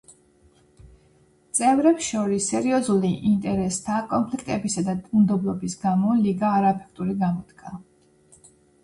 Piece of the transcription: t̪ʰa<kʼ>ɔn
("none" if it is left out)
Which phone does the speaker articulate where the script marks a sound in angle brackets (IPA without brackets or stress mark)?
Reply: kʼ